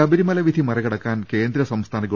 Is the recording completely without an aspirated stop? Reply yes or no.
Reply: no